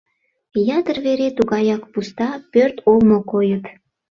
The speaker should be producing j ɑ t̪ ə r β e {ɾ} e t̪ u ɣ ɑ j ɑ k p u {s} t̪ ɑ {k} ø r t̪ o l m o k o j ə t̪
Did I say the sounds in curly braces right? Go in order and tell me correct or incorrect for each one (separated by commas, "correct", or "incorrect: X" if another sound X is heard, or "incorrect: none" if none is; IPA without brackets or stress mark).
correct, correct, incorrect: p